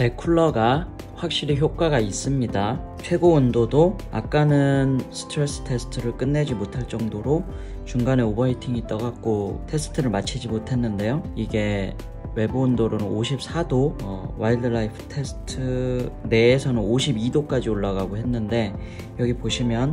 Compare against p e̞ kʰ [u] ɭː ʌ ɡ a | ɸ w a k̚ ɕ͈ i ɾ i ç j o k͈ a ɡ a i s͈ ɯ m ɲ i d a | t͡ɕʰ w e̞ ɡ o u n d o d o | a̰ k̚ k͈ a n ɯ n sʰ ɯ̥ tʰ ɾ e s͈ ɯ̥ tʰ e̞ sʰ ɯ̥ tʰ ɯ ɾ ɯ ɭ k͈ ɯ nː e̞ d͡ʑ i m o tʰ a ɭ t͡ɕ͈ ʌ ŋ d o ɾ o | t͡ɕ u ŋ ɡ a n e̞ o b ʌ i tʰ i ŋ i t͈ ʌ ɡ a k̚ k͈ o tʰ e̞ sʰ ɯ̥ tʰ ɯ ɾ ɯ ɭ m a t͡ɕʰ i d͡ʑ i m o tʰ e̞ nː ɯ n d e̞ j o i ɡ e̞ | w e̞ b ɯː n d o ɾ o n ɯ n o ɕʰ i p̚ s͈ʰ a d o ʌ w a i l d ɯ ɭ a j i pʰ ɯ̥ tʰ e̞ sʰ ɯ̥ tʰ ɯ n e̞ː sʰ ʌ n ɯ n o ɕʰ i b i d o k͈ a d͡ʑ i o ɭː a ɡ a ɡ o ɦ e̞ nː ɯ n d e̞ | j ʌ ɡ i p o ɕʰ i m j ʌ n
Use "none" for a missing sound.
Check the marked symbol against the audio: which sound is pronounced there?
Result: u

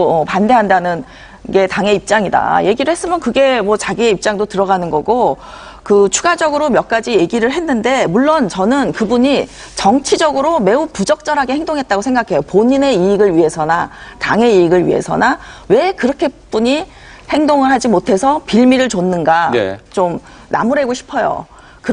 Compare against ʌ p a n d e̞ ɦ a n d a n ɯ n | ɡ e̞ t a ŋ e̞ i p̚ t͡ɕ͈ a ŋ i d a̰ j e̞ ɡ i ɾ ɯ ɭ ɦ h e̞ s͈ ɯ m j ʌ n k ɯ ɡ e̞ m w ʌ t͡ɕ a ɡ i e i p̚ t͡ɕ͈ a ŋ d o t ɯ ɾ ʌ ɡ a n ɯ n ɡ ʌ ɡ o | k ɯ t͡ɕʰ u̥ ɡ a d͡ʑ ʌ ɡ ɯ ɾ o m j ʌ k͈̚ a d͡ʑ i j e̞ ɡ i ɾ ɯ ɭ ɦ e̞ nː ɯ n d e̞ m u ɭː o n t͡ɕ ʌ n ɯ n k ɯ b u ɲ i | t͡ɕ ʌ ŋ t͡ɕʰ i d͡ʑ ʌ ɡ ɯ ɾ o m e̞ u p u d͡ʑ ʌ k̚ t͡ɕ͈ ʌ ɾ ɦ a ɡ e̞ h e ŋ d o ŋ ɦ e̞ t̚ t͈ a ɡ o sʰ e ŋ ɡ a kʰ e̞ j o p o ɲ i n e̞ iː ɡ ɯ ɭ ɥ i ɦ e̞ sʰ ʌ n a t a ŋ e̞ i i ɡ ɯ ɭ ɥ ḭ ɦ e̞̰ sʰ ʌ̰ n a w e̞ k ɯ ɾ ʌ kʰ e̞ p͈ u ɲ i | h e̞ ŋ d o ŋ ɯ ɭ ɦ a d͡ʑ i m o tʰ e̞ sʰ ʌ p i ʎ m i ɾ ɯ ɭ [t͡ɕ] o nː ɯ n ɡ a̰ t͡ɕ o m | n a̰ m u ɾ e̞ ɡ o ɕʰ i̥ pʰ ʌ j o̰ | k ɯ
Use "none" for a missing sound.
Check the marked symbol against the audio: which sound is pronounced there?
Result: t͡ɕ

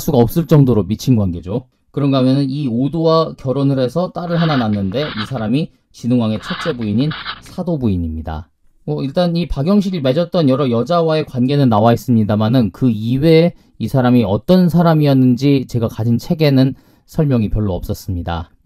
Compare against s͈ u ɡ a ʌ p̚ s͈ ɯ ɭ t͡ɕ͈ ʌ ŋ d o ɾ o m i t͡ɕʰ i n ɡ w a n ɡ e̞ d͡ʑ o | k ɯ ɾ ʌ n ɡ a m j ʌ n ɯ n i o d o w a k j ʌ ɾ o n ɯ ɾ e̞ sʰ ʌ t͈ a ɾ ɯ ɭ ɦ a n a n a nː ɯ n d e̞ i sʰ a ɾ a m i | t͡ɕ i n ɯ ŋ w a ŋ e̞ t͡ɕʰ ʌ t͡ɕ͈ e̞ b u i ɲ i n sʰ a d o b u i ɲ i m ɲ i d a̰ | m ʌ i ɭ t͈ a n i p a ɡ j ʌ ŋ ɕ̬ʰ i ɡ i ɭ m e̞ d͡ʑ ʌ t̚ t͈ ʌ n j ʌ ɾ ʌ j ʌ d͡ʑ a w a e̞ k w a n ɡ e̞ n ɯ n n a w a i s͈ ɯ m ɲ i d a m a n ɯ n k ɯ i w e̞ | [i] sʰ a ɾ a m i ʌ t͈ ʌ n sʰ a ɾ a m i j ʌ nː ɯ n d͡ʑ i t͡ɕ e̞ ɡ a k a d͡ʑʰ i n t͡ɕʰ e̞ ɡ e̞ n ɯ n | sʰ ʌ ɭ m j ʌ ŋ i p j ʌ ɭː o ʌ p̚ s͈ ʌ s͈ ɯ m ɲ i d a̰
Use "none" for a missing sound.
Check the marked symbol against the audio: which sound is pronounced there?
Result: i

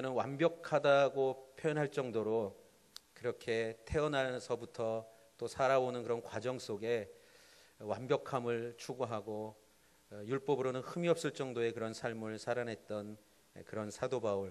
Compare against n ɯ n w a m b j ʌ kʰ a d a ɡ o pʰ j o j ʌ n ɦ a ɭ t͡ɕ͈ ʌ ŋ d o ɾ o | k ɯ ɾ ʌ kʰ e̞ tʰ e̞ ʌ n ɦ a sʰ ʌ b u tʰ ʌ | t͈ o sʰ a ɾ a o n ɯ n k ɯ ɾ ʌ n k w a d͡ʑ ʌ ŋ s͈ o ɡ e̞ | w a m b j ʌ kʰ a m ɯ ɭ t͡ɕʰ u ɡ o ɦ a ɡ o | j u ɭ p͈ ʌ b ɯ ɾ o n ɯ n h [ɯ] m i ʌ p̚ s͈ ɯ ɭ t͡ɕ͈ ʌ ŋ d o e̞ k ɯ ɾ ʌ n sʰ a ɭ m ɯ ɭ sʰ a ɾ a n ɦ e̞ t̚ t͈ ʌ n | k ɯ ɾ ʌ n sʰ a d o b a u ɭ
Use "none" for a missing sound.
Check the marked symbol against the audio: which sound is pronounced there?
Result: ɯ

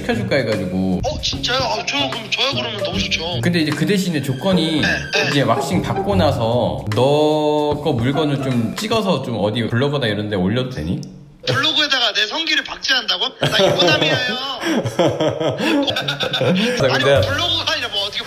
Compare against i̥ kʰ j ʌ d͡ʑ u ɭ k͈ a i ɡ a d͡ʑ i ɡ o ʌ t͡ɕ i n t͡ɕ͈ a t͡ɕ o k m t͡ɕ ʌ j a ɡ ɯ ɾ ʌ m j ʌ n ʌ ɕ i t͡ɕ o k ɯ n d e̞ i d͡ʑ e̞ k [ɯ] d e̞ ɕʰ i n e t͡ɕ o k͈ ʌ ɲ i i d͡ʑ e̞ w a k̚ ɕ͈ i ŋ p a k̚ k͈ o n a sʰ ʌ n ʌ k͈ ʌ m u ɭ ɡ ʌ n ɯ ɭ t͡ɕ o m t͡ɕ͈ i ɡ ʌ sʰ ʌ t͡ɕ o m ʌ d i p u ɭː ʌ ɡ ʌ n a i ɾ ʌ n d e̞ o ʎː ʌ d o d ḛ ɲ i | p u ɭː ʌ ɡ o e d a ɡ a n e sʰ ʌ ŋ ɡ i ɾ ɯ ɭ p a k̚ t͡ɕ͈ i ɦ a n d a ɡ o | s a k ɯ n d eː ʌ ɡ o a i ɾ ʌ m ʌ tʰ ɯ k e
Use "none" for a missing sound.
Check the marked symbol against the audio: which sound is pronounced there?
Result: ɯ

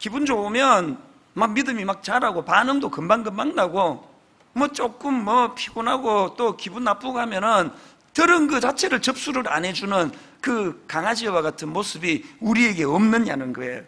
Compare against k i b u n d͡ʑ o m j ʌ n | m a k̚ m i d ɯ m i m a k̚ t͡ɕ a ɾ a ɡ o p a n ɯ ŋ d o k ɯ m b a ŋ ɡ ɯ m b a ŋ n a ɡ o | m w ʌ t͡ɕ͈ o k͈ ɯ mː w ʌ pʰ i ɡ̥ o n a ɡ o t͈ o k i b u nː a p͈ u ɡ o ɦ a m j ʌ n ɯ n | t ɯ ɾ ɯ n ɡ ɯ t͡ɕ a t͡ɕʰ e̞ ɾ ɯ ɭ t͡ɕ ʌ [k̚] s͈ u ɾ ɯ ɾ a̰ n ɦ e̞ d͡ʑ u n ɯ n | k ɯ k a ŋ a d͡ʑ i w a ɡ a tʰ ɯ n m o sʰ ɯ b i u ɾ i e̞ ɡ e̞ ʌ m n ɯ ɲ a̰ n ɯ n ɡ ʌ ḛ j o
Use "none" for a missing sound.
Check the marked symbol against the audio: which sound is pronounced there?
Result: p̚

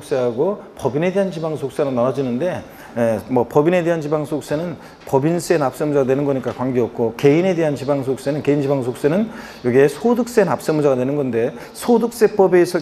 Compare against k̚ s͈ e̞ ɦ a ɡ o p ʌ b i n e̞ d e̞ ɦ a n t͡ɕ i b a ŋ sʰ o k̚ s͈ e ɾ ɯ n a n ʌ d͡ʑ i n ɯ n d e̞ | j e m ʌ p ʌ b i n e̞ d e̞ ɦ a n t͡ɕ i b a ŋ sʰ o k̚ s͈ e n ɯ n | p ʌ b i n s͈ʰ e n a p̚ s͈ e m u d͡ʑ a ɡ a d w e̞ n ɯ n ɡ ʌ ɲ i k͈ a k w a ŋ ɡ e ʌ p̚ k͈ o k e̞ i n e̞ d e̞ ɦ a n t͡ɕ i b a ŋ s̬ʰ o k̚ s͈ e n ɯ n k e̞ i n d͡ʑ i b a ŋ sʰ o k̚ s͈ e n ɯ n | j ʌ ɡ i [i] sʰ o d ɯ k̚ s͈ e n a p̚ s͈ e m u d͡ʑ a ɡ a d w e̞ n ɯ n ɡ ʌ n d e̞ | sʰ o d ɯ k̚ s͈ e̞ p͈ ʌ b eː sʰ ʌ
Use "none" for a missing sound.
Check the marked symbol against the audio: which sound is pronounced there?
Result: e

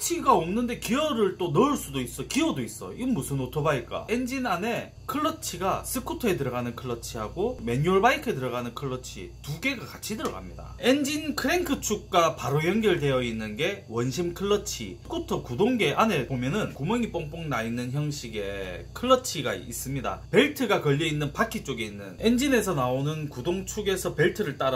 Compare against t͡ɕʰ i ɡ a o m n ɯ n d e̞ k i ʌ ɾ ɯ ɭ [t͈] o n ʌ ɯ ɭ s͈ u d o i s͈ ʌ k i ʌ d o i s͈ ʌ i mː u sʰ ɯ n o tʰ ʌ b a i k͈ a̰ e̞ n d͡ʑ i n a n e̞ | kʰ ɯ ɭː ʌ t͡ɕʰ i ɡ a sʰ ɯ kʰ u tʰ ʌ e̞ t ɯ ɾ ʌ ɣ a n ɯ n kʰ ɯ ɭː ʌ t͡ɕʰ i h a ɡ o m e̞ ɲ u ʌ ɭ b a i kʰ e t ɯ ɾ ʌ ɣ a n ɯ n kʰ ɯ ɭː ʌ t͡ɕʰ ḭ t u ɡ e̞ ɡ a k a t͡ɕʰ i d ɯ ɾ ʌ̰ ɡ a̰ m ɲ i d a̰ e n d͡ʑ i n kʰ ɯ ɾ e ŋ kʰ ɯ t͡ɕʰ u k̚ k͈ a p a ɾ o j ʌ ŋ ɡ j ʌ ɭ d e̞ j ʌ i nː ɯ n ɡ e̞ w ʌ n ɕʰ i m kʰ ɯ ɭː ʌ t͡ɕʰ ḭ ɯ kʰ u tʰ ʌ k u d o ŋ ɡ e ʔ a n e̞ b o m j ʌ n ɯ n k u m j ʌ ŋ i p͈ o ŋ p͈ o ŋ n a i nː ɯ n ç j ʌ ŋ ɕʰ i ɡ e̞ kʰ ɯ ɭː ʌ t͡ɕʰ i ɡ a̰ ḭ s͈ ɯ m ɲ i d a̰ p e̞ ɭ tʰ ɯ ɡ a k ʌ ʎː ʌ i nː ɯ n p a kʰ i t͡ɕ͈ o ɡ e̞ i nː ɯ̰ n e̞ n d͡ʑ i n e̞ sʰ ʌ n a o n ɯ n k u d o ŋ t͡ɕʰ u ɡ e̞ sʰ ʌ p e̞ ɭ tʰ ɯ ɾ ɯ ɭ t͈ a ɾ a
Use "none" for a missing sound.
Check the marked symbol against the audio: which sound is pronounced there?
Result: t͈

